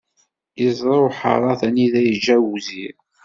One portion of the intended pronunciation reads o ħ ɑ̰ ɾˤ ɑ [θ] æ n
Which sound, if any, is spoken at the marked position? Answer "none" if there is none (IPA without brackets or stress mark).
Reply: θ